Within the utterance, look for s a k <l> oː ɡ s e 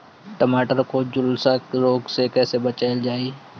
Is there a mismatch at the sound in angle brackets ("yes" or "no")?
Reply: yes